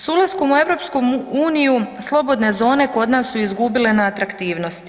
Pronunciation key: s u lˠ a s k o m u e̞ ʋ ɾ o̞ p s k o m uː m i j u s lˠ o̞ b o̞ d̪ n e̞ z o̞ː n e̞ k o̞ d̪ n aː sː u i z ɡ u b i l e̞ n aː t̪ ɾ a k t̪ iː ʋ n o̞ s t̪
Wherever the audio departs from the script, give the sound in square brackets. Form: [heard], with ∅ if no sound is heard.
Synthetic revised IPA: s u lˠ a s k o m u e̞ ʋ ɾ o̞ p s k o m uː [n] i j u s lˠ o̞ b o̞ d̪ n e̞ z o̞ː n e̞ k o̞ d̪ n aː sː u i z ɡ u b i l e̞ n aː t̪ ɾ a k t̪ iː ʋ n o̞ s t̪